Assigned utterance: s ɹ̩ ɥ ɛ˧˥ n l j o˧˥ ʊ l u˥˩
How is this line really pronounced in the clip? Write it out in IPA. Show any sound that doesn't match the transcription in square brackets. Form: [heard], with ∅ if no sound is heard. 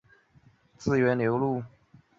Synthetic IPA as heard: [t͡s] ɹ̩ ɥ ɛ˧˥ n l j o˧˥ ʊ l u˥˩